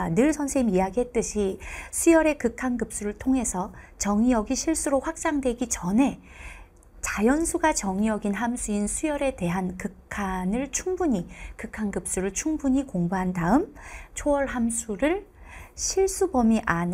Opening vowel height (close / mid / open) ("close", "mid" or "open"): close